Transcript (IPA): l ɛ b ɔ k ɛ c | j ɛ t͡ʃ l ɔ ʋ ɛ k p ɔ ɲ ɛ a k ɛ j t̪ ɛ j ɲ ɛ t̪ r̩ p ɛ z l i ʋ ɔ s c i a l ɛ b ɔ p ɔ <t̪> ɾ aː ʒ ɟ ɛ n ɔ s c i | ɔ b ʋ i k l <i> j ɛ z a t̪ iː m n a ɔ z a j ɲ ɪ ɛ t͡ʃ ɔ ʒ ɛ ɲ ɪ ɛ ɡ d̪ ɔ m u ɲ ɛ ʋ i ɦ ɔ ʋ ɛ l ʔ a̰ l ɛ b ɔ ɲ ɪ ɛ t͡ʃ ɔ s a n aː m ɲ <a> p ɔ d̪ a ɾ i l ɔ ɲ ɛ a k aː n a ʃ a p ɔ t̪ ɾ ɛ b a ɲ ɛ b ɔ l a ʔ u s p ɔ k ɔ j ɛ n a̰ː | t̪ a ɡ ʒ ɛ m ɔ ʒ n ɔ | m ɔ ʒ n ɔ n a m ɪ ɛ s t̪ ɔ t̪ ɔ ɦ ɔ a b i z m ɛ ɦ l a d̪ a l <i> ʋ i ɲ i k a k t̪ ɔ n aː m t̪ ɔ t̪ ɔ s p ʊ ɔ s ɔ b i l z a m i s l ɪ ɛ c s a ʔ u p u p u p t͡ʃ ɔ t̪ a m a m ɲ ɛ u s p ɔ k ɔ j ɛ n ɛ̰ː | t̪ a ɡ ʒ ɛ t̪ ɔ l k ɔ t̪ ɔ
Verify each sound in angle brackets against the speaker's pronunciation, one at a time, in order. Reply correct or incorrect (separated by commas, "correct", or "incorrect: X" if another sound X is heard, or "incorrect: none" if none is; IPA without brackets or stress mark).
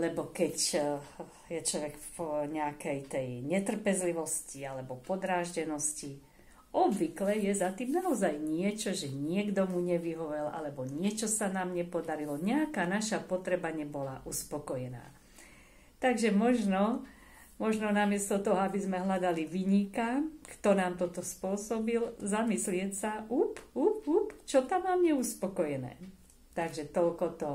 incorrect: d̪, incorrect: ɛ, incorrect: ɛ, correct